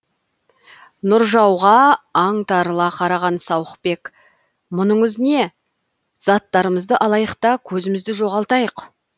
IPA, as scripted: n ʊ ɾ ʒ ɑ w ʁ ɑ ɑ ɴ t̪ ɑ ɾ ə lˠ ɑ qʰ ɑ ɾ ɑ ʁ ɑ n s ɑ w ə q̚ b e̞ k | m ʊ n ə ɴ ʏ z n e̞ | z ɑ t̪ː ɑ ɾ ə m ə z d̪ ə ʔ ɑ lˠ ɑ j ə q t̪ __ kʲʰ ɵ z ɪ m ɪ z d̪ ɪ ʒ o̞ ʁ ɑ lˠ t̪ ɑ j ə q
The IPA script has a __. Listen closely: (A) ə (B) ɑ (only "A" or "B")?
B